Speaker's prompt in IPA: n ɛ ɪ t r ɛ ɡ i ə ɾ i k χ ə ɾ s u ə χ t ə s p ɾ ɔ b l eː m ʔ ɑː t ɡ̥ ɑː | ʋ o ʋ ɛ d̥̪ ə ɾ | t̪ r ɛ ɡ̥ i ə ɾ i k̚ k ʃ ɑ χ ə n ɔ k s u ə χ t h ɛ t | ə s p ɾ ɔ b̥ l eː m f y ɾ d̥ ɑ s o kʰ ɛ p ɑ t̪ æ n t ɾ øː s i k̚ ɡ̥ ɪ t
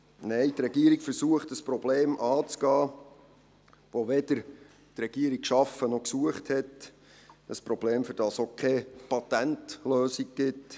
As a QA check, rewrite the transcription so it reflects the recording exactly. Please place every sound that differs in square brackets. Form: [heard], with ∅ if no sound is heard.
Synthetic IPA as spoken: n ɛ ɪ t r ɛ ɡ i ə ɾ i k [f] ə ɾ s u ə χ t ə s p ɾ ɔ b l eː m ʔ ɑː [t͡s] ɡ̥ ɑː | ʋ o ʋ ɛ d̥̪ ə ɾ | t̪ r ɛ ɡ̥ i ə ɾ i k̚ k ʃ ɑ [f] ə n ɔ k s u ə χ t h ɛ t | ə s p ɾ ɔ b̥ l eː m f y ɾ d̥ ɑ s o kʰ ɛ p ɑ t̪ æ n t [l] øː s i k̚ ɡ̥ ɪ t